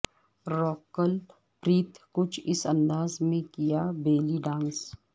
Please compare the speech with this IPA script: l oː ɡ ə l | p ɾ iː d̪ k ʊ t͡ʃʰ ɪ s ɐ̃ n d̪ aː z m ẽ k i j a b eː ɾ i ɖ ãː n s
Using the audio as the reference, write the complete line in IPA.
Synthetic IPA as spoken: ɾ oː k ə l | p ɾ iː t̪ k ʊ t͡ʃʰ ɪ s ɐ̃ n d̪ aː z m ẽ k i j a b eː l i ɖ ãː n s